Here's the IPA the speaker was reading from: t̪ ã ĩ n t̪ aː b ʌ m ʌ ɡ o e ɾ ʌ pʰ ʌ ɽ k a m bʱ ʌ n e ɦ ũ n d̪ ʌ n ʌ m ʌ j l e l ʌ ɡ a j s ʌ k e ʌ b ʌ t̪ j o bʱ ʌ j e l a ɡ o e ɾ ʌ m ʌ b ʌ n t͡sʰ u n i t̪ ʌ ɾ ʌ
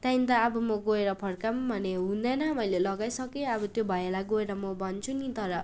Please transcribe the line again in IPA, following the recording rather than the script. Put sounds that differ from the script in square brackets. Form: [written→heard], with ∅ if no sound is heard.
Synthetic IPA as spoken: t̪ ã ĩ n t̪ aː b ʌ m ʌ ɡ o e ɾ ʌ pʰ ʌ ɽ k a m bʱ ʌ n e ɦ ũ n d̪ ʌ n ʌ m ʌ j l e l ʌ ɡ a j s ʌ k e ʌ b ʌ t̪ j o bʱ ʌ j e l a ɡ o e ɾ ʌ m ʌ b ʌ n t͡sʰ u n i t̪ ʌ ɾ ʌ